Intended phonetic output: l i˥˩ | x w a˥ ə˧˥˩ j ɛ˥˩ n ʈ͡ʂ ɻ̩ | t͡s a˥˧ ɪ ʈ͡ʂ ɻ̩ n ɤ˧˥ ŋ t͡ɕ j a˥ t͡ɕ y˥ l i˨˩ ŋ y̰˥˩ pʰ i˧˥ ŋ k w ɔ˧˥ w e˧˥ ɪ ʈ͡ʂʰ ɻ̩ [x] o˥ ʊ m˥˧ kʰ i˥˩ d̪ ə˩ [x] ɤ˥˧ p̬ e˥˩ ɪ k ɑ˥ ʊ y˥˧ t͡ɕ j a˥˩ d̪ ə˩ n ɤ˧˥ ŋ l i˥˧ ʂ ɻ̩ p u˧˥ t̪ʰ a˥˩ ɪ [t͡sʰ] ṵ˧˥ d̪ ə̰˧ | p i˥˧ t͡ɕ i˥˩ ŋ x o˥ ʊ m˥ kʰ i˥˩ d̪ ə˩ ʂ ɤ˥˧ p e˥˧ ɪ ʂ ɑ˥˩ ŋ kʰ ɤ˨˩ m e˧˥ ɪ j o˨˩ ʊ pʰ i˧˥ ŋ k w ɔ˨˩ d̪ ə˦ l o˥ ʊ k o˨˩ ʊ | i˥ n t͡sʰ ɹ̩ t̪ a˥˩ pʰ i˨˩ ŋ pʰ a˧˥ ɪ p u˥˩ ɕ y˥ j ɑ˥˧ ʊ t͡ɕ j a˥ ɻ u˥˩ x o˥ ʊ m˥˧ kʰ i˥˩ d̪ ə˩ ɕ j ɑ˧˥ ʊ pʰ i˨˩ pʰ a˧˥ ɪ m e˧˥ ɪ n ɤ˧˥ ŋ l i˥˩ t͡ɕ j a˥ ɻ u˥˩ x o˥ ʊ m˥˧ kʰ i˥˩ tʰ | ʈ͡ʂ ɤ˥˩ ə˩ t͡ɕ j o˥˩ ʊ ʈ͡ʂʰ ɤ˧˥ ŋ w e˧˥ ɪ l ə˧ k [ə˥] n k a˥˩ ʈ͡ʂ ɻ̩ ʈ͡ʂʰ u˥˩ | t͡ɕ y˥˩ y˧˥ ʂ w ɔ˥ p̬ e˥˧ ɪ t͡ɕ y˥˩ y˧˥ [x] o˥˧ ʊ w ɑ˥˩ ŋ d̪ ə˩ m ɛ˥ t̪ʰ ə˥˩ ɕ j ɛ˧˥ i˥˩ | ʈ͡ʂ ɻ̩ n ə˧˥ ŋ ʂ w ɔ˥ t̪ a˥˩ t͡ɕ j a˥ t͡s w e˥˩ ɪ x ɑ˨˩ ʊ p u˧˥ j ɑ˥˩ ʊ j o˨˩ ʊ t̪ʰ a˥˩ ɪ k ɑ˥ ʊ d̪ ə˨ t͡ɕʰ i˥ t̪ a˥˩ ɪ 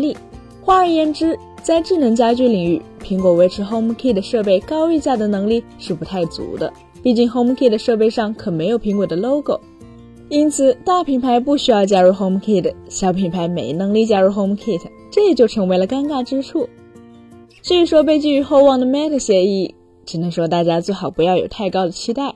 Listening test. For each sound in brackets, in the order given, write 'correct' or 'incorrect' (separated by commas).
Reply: correct, incorrect, incorrect, incorrect, correct